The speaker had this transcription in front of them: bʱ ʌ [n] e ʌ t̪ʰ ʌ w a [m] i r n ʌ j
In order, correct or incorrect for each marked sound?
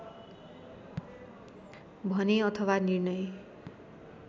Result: correct, incorrect: n

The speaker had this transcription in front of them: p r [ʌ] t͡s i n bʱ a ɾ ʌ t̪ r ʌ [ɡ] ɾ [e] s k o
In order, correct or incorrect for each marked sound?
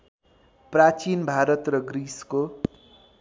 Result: incorrect: a, correct, incorrect: i

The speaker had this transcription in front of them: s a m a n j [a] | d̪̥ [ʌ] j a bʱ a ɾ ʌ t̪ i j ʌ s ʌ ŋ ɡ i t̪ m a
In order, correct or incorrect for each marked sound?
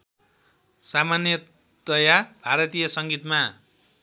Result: incorrect: ʌ, correct

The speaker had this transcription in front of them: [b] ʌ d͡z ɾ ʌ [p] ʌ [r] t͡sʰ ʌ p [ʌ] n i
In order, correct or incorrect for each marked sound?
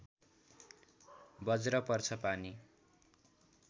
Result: correct, correct, correct, incorrect: a

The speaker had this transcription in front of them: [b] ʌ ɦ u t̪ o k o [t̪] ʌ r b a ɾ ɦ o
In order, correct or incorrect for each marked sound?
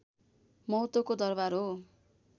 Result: incorrect: m, incorrect: d̪

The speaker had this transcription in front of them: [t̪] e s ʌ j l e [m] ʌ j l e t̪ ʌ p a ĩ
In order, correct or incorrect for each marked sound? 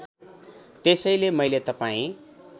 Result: correct, correct

